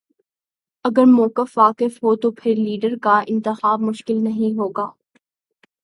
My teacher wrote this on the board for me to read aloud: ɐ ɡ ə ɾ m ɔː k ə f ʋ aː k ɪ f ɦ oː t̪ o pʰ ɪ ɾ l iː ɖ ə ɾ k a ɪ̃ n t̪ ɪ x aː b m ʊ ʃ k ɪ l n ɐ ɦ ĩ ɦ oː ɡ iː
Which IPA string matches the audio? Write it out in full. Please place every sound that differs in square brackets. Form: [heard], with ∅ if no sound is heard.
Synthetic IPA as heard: ɐ ɡ ə ɾ m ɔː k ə f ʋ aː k ɪ f ɦ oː t̪ o pʰ ɪ ɾ l iː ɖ ə ɾ k a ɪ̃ n t̪ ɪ x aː b m ʊ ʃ k ɪ l n ɐ ɦ ĩ ɦ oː ɡ [aː]